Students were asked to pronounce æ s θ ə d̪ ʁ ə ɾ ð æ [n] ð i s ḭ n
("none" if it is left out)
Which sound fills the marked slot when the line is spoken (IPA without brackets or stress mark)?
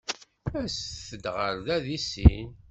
none